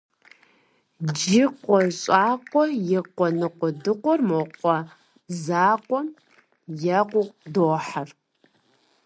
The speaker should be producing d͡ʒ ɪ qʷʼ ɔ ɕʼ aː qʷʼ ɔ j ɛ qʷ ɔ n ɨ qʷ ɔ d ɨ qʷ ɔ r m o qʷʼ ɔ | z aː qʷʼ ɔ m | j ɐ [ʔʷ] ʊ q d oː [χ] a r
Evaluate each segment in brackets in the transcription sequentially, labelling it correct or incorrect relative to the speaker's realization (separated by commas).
incorrect, incorrect